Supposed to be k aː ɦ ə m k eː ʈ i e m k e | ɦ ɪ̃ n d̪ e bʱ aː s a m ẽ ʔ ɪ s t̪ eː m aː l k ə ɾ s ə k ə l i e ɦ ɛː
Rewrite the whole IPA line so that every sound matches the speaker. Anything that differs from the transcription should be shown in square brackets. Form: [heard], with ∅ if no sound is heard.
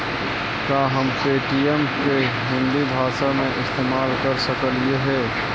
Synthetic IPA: k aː ɦ ə m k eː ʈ i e m k e | ɦ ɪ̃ n d̪ [i] bʱ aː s a m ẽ ʔ ɪ s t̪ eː m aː l k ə ɾ s ə k ə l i e ɦ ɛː